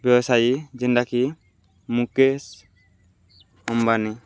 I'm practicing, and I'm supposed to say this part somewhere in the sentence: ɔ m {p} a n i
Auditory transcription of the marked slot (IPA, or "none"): b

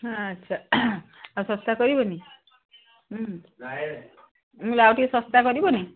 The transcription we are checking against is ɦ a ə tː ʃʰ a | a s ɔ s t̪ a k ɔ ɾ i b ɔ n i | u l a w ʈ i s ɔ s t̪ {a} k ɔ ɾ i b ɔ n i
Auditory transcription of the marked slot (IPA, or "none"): a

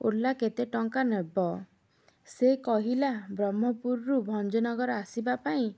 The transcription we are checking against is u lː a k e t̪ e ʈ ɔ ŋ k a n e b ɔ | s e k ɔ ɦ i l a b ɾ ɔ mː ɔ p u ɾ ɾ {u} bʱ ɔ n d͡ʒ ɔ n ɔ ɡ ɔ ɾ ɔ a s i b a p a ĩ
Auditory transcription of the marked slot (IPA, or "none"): u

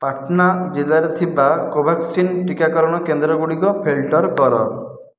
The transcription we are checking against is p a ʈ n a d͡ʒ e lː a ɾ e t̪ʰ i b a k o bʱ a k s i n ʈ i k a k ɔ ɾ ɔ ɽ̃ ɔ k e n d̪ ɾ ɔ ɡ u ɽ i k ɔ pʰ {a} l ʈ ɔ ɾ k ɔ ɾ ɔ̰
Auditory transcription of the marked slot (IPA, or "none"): e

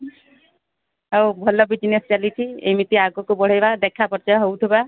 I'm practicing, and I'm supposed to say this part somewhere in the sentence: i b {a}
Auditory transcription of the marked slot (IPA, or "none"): a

